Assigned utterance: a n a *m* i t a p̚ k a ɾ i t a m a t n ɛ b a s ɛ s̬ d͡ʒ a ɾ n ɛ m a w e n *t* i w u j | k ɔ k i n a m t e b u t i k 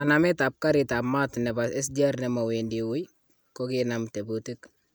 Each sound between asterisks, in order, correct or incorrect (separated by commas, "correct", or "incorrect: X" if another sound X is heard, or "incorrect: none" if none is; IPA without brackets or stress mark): correct, incorrect: d